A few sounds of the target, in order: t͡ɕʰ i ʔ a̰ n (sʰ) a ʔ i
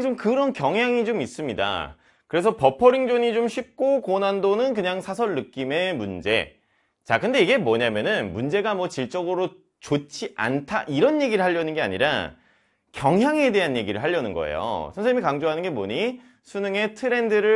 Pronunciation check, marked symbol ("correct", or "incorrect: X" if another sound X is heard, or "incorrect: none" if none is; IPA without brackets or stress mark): incorrect: tʰ